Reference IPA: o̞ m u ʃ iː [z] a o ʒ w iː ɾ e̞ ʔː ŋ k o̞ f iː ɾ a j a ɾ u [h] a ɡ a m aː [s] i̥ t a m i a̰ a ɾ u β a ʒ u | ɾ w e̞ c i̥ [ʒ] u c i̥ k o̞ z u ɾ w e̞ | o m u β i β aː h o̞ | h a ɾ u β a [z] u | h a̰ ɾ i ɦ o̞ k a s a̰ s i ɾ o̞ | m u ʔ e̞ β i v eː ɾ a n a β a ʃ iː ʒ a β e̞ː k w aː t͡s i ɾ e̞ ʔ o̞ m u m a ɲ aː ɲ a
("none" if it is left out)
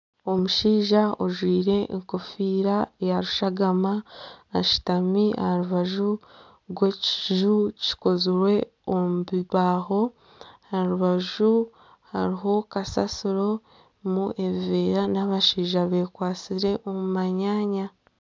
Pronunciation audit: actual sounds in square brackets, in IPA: ʒ, ʃ, ʃ, ʒ, ʒ

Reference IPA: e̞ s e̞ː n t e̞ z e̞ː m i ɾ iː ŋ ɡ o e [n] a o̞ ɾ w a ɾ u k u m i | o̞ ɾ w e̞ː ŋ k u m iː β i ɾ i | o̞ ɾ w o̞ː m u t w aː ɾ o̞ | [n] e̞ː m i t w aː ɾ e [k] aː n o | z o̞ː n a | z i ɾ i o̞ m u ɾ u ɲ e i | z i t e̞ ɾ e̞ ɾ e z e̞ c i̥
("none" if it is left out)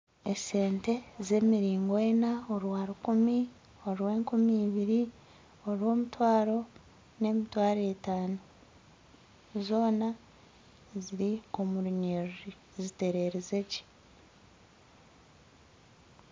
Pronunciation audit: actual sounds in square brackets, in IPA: n, n, t

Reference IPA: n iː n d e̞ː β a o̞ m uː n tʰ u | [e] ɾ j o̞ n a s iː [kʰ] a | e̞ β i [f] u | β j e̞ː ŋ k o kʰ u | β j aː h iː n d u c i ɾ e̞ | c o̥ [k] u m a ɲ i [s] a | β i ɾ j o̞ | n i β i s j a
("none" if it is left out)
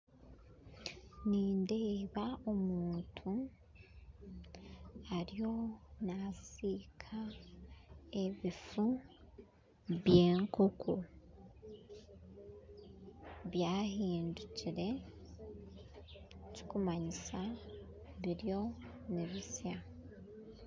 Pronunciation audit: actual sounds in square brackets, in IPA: a, kʰ, f, k, s

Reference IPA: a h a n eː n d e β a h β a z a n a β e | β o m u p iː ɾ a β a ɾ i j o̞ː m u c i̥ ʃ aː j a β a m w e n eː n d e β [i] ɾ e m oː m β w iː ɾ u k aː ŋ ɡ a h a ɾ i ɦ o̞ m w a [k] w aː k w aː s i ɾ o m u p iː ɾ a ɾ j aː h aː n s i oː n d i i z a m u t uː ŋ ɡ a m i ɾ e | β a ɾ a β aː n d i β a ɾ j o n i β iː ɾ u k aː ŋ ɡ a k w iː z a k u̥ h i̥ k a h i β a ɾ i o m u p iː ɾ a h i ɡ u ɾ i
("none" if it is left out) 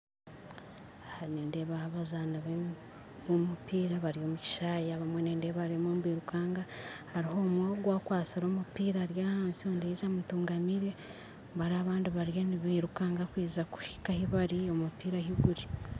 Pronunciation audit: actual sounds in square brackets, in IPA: a, ɡ

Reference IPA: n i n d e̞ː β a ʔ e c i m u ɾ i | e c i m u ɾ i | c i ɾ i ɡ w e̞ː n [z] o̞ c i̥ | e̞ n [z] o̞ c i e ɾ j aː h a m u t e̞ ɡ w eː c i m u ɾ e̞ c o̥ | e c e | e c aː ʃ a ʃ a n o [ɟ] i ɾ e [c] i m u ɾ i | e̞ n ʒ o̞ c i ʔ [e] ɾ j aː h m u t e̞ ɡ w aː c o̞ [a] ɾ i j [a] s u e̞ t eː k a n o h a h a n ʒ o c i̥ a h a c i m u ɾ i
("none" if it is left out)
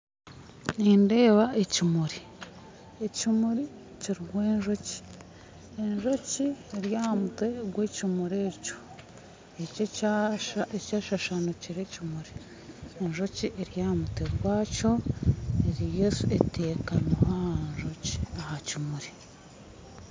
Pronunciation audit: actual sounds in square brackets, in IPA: ʒ, ʒ, c, c, e, e, e

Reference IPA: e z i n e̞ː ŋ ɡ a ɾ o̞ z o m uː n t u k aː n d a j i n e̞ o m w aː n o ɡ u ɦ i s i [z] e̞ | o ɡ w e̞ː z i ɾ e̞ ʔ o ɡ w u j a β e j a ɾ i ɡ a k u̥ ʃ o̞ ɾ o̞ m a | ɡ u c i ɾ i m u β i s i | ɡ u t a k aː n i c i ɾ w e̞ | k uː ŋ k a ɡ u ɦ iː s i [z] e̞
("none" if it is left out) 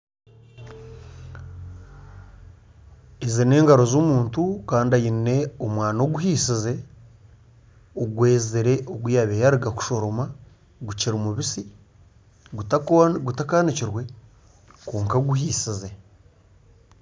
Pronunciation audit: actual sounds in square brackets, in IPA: z, z

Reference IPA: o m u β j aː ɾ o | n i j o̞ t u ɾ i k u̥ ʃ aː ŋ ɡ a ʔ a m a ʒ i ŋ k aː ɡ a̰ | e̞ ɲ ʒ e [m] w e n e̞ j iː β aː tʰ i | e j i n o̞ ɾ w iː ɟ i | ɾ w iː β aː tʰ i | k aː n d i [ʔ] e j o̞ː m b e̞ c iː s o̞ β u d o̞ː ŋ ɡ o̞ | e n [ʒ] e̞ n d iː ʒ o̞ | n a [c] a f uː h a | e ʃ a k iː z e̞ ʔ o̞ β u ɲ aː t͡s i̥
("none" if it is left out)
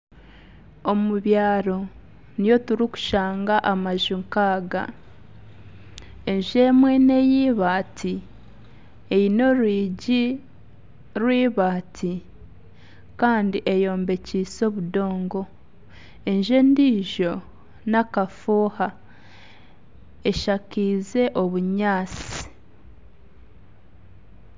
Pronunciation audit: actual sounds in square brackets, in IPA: m, ʔ, ʒ, k

